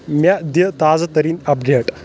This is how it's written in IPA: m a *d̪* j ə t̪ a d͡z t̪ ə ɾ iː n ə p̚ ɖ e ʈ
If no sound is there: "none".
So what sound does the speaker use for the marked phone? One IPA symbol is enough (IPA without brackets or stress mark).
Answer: d̪